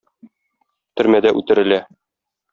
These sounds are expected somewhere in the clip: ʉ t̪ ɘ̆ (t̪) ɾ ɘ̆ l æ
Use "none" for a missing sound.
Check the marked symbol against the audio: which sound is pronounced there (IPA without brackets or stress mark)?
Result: none